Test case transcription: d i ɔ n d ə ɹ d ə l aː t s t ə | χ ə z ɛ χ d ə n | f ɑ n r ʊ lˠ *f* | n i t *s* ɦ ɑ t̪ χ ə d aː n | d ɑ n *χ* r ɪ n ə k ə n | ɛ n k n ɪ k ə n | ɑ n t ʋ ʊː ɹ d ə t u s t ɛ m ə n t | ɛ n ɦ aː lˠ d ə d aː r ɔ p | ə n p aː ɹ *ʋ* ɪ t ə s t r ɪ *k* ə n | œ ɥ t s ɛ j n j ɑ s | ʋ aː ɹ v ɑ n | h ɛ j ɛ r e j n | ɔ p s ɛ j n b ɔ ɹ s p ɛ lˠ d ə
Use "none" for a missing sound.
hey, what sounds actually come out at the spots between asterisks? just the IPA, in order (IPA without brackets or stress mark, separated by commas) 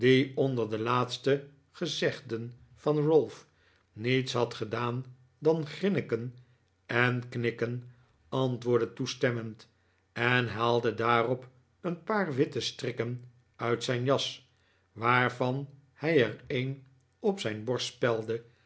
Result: f, s, χ, ʋ, k